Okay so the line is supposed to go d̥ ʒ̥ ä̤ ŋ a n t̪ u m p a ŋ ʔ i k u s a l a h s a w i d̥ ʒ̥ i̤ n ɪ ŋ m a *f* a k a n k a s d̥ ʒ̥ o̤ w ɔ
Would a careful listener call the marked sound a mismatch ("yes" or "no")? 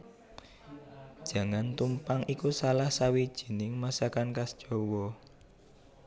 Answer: yes